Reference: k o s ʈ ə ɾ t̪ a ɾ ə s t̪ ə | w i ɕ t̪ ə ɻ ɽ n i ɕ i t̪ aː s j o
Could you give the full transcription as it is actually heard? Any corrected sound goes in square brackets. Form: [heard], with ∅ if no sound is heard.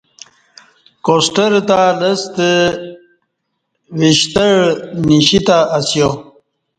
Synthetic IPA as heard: k o s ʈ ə ɾ t̪ a [l] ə s t̪ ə | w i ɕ t̪ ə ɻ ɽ n i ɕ i t̪ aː s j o

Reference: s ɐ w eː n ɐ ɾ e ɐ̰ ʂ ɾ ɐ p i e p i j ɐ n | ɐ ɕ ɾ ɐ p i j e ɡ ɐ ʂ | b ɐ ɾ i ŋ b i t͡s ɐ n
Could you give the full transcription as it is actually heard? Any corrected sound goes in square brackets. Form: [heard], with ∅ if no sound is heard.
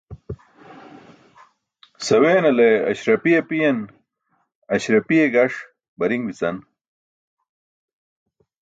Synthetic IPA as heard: s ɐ w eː n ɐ [l] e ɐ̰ [ɕ] ɾ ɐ p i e p i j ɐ n | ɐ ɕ ɾ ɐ p i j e ɡ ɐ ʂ | b ɐ ɾ i ŋ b i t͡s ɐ n

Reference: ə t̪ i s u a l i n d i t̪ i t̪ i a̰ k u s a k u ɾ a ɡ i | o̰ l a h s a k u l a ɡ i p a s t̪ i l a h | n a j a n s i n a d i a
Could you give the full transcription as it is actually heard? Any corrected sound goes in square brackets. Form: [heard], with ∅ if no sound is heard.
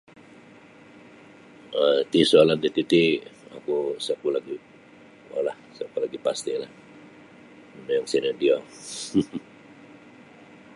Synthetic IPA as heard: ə t̪ i s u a l [a] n d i t̪ i t̪ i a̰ k u s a k u [l] a ɡ i | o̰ l a h s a k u l a ɡ i p a s t̪ i l a h | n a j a [ŋ] s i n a d i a

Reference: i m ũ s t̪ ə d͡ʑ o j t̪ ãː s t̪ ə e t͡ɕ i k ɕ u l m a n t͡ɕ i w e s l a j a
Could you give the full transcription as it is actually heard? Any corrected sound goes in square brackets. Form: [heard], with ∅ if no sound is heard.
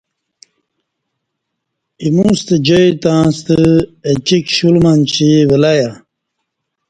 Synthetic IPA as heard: i m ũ s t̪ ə d͡ʑ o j t̪ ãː s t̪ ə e t͡ɕ i k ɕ u l m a n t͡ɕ i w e [∅] l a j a

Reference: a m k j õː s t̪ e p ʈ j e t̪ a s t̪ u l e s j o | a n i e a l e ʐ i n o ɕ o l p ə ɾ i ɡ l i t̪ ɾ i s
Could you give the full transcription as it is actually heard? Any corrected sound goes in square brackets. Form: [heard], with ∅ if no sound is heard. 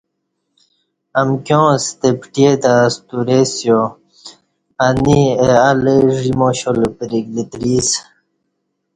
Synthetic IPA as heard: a m k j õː s t̪ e p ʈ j e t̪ a s t̪ u [ɾ] e s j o | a n i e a l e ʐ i [m] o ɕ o l p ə ɾ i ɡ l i t̪ ɾ i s

